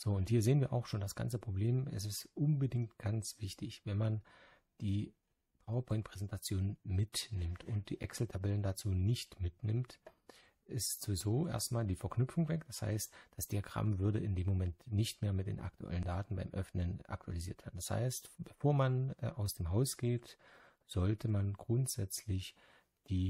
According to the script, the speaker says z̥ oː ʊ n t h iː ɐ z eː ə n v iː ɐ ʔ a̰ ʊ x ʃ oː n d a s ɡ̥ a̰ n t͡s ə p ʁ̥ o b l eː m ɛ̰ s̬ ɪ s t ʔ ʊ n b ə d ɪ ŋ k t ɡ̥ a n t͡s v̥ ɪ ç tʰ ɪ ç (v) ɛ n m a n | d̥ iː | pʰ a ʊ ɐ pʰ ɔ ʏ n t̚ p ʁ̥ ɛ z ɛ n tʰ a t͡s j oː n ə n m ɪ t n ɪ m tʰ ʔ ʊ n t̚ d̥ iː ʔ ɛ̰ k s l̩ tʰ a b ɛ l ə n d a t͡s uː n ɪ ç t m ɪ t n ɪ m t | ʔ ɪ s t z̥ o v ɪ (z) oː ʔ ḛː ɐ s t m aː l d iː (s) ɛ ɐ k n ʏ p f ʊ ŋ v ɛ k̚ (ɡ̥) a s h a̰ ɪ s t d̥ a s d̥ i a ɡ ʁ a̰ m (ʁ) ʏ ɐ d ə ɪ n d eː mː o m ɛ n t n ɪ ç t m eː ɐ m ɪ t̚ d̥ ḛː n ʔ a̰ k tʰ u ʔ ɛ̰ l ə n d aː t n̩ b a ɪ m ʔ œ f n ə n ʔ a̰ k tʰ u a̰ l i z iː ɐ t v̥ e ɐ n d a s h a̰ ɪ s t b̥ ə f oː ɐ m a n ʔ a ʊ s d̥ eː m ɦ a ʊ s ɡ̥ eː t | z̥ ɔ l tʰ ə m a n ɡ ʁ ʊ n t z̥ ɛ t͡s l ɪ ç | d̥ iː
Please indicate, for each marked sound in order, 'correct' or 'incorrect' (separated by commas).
correct, correct, incorrect, incorrect, incorrect